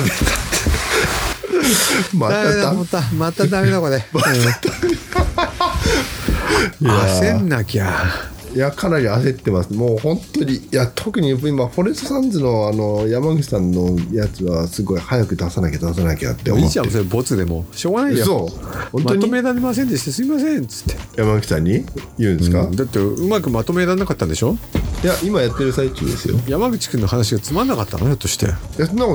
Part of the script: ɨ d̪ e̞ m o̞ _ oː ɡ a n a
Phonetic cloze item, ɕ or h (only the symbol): ɕ